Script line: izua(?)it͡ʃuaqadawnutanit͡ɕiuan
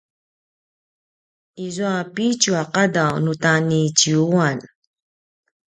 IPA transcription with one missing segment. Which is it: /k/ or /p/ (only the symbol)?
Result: p